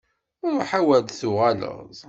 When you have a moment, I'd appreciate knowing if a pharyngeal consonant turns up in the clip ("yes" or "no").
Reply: yes